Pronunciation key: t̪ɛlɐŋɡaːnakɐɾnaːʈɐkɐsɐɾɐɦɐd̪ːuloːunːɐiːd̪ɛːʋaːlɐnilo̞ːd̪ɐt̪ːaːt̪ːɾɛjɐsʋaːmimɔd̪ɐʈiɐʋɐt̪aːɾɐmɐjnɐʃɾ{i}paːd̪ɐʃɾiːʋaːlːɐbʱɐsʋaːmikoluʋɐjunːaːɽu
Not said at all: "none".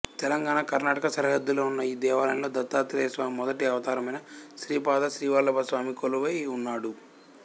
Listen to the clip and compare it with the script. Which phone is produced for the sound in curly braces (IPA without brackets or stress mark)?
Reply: iː